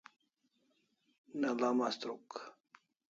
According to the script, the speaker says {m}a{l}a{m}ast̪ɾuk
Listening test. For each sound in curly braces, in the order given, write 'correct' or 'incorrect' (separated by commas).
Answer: incorrect, correct, correct